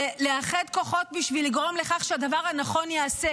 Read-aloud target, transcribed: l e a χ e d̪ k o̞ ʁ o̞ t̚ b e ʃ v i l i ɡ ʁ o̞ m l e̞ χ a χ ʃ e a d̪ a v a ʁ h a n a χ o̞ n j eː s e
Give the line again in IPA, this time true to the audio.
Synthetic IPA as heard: l e a χ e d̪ k o̞ χ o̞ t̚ b i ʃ v i l i ɡ ʁ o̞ m l e̞ χ a χ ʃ e a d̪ a v a ʁ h a n a χ o̞ n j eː s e